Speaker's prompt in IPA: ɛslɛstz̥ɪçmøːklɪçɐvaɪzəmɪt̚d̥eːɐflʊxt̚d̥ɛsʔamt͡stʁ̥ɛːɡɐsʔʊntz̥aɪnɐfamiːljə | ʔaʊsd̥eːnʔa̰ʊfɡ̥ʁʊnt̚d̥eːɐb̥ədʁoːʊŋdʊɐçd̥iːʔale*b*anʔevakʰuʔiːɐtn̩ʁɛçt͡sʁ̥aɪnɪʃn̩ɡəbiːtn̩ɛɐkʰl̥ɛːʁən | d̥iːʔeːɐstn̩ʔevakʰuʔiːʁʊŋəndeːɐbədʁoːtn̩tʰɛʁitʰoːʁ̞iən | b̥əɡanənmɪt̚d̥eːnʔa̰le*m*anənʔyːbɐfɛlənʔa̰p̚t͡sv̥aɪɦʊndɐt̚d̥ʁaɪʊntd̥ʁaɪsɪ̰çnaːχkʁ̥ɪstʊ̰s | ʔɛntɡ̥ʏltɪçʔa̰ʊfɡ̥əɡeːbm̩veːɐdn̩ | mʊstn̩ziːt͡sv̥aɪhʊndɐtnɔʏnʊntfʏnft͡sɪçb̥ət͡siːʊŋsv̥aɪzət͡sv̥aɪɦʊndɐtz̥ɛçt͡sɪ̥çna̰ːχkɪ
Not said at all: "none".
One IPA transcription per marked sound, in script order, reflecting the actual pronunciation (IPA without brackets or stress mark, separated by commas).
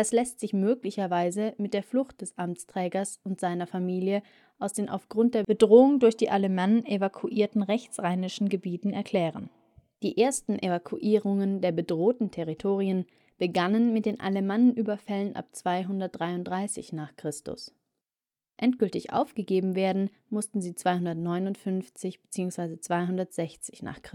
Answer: m, m